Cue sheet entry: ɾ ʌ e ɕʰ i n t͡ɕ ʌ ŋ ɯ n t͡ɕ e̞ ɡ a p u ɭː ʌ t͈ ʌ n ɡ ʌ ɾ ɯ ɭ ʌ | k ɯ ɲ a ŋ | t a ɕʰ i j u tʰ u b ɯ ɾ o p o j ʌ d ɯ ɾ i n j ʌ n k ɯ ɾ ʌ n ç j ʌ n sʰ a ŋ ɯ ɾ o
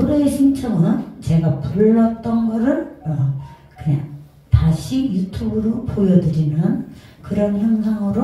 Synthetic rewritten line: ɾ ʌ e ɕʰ i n t͡ɕʰ ʌ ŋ ɯ n t͡ɕ e̞ ɡ a p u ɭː ʌ t͈ ʌ n ɡ ʌ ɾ ɯ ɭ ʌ | k ɯ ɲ a ŋ | t a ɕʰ i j u tʰ u b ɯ ɾ o p o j ʌ d ɯ ɾ i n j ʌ n k ɯ ɾ ʌ n ç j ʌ ŋ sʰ a ŋ ɯ ɾ o